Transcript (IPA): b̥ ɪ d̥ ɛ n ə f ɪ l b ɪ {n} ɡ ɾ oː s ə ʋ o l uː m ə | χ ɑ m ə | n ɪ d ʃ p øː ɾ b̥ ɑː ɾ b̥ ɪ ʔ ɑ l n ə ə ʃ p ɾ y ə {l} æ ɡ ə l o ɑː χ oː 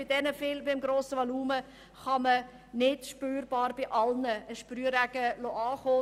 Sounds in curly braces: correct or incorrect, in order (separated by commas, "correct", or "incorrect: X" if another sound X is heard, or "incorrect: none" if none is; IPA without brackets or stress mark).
incorrect: m, incorrect: ɾ